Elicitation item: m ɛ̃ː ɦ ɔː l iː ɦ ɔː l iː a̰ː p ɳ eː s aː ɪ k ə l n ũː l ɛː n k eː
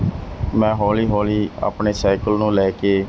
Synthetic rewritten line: m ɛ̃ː ɦ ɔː l iː ɦ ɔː l iː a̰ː p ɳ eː s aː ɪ k ə l n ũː l ɛː k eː